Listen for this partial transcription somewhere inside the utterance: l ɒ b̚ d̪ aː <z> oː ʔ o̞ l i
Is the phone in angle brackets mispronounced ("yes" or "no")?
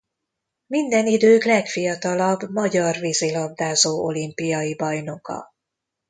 no